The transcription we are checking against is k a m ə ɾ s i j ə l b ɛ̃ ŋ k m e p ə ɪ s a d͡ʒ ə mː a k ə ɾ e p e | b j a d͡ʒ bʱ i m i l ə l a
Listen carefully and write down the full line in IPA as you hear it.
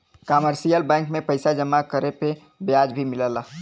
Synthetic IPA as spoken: k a m ə ɾ s i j ə l b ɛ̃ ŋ k m e p ə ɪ s a d͡ʒ ə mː a k ə ɾ e p e | b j a d͡ʒ bʱ i m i l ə l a